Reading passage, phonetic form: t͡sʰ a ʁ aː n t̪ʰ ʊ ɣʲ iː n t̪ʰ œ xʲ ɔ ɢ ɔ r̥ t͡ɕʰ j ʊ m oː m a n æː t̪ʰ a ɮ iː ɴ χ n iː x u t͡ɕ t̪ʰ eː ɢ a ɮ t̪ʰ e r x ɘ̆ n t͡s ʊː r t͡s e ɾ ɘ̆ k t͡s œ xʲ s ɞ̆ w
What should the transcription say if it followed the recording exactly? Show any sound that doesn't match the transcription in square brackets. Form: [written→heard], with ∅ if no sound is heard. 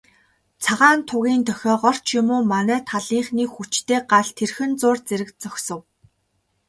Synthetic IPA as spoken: t͡sʰ a ʁ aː n t̪ʰ ʊ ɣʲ iː n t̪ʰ œ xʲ [ɔ→ɔː] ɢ ɔ r̥ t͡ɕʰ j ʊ m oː m a n æː t̪ʰ a ɮ iː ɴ χ n iː x u t͡ɕ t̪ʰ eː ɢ a ɮ t̪ʰ e r x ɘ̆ n t͡s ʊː r t͡s e ɾ ɘ̆ k t͡s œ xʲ s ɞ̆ w